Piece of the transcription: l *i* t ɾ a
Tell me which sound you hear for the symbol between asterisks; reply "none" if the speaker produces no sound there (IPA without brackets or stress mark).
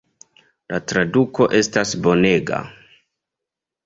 a